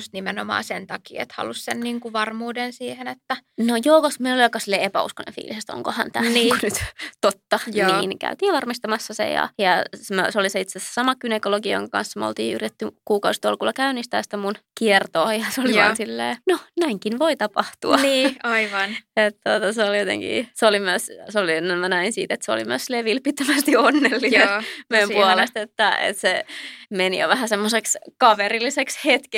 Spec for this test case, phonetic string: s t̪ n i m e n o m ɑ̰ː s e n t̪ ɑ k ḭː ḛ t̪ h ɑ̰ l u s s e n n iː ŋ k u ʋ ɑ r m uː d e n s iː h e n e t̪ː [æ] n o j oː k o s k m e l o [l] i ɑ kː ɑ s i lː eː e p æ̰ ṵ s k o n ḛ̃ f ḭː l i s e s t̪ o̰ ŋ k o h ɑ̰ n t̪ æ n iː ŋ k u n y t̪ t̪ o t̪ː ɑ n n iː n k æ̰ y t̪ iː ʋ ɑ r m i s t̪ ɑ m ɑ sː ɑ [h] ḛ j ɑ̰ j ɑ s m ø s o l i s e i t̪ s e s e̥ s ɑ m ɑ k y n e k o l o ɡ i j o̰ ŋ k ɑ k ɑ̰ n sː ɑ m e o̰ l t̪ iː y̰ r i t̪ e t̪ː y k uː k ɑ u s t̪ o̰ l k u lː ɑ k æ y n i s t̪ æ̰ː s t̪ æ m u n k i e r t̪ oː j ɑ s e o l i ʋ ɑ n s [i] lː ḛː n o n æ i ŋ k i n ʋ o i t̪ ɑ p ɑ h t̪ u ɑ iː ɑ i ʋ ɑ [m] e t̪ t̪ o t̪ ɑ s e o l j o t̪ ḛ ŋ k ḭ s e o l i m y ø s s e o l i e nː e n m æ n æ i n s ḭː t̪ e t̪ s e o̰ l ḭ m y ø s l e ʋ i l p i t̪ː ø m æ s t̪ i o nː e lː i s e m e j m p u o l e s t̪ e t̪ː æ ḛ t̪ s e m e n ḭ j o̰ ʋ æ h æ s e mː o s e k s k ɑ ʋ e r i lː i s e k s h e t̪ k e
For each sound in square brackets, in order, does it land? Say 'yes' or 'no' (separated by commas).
yes, yes, no, yes, no